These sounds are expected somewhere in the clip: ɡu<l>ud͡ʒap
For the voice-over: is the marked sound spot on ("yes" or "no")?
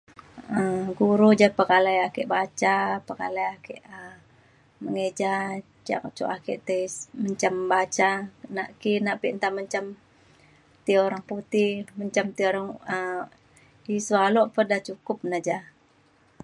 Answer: no